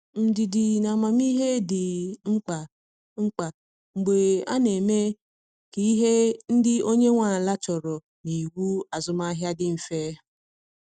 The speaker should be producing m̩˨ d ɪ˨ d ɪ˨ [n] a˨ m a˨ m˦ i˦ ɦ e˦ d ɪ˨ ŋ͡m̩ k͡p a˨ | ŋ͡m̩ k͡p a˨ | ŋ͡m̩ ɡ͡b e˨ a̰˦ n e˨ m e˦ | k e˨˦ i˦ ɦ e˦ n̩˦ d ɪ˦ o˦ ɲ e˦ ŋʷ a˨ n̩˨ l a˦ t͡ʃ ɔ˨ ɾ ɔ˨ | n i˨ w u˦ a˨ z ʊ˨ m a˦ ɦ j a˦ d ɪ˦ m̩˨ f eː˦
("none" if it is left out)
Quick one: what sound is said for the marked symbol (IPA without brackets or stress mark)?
n